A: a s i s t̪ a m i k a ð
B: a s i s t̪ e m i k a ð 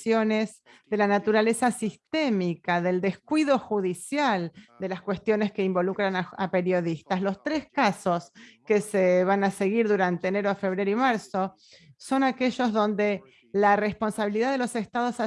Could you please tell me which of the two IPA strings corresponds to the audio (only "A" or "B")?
B